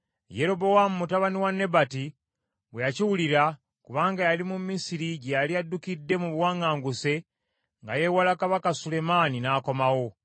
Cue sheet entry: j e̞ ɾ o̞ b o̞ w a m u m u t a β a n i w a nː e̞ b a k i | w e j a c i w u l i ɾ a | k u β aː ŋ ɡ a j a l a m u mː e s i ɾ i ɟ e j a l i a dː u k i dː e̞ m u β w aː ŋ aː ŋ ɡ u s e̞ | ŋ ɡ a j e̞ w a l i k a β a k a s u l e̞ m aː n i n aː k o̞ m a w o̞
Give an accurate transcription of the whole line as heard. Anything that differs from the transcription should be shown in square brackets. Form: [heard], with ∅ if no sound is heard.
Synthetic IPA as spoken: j e̞ ɾ o̞ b o̞ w a m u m u t a β a n i w a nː e̞ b a [t] i | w e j a c i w u l i ɾ a | k u β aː ŋ ɡ a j a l [i] m u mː [i] s i ɾ i ɟ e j a l i a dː u k i dː e̞ m u β w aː ŋ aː ŋ ɡ u s e̞ | ŋ ɡ a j e̞ w a l [a] k a β a k a s u l e̞ m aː n i n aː k o̞ m a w o̞